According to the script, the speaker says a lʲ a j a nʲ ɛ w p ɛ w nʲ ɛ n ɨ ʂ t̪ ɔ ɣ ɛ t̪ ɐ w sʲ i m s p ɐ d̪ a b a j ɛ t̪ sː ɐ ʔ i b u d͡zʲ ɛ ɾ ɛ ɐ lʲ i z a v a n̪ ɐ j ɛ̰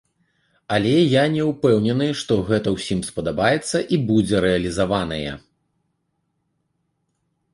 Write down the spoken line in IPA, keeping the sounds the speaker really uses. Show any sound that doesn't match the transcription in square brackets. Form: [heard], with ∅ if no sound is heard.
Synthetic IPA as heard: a lʲ [ɛ] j a nʲ ɛ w p ɛ w nʲ ɛ n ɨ ʂ t̪ ɔ ɣ ɛ t̪ ɐ w sʲ i m s p ɐ d̪ a b a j ɛ t̪ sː ɐ ʔ i b u d͡zʲ ɛ ɾ ɛ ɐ lʲ i z a v a n̪ ɐ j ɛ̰